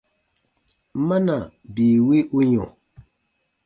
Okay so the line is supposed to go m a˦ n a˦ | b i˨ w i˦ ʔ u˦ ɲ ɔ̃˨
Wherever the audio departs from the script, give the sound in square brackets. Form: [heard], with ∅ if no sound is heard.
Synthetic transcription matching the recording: m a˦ n [a˨] | b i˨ w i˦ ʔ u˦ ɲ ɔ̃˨

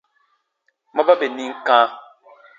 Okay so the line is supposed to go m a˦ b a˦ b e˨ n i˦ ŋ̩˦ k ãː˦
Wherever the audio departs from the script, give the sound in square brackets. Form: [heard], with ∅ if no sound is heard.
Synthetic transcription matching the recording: m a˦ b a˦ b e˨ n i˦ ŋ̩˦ k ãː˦

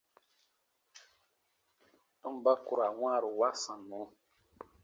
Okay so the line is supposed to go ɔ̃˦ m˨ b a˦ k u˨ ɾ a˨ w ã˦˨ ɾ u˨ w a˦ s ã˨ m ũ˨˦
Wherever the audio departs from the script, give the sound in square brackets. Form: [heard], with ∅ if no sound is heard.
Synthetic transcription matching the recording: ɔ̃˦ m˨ b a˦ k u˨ ɾ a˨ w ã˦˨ ɾ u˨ w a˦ s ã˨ [n] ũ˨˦

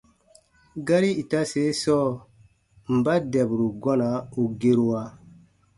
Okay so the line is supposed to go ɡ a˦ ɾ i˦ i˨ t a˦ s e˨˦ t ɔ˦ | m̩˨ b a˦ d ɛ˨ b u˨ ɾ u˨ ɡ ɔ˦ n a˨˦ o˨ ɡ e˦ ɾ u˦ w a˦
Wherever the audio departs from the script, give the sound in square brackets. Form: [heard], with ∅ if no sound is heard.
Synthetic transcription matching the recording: ɡ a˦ ɾ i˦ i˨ t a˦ s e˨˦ [s] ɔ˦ | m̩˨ b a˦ d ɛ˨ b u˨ ɾ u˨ ɡ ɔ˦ n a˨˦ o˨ ɡ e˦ ɾ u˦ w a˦

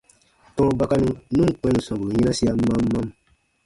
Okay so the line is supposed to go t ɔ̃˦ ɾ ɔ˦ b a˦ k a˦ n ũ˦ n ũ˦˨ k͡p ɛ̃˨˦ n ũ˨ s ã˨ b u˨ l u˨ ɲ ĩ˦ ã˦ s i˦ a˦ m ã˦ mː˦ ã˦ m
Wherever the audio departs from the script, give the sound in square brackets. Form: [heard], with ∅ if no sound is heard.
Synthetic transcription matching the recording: t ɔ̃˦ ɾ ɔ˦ b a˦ k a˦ n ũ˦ n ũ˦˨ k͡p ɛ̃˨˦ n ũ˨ s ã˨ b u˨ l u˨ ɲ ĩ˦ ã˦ s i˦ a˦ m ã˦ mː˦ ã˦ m

